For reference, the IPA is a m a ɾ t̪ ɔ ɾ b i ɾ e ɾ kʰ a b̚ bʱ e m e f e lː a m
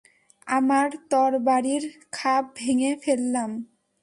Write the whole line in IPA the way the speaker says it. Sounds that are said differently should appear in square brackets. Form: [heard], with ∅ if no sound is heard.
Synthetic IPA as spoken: a m a ɾ t̪ ɔ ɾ b [a] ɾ [i] ɾ kʰ a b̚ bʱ e [ŋ] e f e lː a m